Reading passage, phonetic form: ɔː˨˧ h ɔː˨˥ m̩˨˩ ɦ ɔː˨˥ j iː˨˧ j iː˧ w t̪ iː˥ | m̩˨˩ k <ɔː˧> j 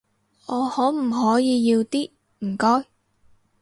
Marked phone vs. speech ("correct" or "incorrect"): incorrect